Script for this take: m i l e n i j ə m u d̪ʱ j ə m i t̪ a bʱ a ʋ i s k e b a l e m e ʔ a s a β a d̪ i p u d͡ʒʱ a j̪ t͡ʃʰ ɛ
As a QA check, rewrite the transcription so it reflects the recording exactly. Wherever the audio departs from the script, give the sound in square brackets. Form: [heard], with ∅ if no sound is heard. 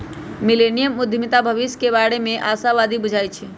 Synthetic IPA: m i l e n i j ə m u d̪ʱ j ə m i t̪ a bʱ [ə] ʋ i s k e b a [ɽ] e m e ʔ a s a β a d̪ i [b] u d͡ʒʱ a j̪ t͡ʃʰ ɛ